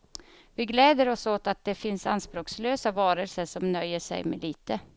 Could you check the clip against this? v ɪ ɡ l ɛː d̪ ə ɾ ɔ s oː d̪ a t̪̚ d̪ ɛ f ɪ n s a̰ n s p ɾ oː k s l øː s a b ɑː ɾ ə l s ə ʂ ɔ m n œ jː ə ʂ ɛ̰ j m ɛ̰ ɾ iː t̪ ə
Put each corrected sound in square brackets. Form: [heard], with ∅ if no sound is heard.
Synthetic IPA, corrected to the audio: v ɪ ɡ l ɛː d̪ ə ɾ ɔ s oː [t̪] a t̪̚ d̪ ɛ f ɪ n s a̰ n s p ɾ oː k s l øː s a [v] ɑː ɾ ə l s ə ʂ ɔ m n œ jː ə ʂ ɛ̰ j m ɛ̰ [l] iː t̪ ə